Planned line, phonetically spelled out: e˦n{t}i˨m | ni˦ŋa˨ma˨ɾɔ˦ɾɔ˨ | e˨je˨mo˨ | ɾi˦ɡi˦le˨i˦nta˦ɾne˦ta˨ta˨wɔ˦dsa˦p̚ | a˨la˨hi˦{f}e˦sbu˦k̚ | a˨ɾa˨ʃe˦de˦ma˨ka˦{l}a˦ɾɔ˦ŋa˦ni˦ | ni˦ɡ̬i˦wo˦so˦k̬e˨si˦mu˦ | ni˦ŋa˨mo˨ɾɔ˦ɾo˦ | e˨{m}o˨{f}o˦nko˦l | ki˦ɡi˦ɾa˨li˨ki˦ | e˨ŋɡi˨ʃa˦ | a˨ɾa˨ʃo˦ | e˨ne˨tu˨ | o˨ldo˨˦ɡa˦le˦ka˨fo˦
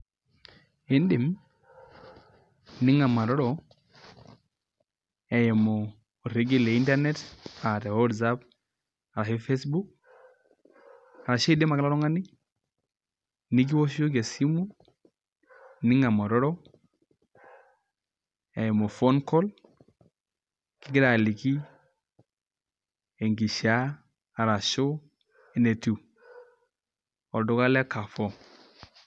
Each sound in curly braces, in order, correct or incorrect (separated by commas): incorrect, correct, correct, correct, correct